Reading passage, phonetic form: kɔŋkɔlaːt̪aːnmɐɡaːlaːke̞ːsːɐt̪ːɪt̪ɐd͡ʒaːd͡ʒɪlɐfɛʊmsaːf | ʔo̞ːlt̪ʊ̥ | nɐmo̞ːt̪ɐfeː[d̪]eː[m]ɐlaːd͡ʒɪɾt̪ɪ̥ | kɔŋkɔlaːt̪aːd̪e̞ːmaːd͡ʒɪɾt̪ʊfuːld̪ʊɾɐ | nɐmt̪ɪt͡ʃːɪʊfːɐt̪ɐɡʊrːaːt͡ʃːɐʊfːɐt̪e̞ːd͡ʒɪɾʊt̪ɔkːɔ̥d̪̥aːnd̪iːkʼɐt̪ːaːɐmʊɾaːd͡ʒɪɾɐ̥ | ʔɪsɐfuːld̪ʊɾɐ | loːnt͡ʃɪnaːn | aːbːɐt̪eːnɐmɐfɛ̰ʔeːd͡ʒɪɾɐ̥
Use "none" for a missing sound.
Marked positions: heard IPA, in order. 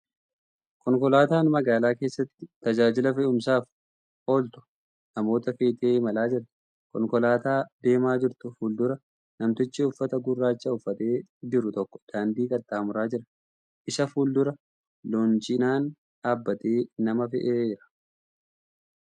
t̪, m

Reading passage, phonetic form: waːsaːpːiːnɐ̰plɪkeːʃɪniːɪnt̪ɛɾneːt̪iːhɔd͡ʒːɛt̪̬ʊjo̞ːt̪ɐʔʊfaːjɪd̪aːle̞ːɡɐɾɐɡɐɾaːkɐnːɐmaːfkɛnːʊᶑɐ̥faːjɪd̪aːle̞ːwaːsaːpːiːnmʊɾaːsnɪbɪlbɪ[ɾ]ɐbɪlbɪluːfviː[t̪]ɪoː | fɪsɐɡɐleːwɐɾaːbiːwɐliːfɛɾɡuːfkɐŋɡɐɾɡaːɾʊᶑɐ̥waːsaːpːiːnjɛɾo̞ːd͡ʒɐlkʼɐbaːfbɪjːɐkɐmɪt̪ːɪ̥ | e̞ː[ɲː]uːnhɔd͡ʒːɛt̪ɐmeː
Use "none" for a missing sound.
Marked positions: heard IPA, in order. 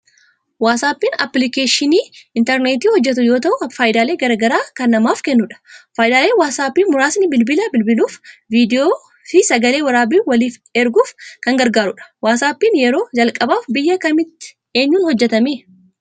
l, d̪, ɲː

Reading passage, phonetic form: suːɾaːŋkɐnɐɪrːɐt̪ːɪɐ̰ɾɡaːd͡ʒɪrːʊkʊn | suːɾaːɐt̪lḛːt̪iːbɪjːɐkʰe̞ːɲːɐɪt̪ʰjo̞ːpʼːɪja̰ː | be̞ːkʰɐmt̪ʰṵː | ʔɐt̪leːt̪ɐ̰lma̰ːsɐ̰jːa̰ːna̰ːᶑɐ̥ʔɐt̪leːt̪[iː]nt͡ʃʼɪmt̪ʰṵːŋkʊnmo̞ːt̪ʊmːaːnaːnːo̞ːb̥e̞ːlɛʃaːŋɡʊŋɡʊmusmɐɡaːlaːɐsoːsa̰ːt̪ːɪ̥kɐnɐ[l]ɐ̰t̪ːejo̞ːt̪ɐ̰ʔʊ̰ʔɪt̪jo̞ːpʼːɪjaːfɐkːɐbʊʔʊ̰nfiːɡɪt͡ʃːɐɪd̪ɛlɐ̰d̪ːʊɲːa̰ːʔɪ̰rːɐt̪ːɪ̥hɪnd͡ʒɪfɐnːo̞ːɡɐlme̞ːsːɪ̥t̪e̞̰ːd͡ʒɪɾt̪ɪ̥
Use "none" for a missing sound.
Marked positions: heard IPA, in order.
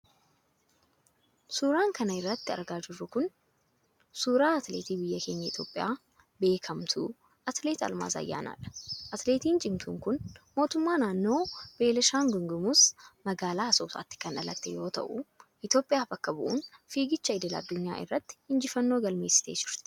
iː, l

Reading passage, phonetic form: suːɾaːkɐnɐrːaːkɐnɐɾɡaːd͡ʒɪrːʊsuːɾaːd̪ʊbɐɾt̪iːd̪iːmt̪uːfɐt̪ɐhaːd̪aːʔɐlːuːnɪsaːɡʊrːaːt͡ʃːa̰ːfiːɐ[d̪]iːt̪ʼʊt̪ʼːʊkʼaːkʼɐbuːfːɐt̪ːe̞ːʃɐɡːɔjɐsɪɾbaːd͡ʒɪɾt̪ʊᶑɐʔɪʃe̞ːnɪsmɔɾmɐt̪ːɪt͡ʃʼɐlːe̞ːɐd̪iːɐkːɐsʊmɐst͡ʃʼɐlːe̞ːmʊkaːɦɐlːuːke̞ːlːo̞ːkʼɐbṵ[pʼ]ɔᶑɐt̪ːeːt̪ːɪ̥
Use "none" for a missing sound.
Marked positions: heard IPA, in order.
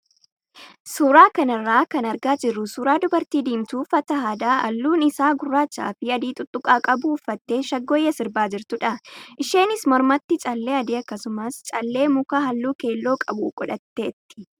d̪, kʼ

